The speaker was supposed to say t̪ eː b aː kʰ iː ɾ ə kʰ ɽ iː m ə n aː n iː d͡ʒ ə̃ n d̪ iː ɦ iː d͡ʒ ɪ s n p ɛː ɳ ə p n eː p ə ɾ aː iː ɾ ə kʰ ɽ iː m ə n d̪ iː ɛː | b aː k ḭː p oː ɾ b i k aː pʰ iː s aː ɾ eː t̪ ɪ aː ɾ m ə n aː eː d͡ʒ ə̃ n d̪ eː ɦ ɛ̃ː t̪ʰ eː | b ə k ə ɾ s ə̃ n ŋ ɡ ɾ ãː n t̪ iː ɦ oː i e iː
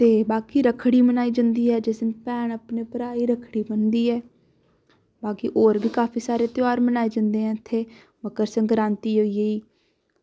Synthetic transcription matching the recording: t̪ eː b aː k iː ɾ ə kʰ ɽ iː m ə n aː iː d͡ʒ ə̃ n d̪ iː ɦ ɛː d͡ʒ ɪ s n p ɛː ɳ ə p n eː p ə ɾ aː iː ɾ ə kʰ ɽ iː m ə n d̪ iː ɛː | b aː k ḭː ʔ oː ɾ b iː k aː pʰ iː s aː ɾ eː t̪ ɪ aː ɾ m ə n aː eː d͡ʒ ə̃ n d̪ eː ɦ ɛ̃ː t̪ʰ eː | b ə k ə ɾ s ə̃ ŋ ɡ ɾ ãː n t̪ iː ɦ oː i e iː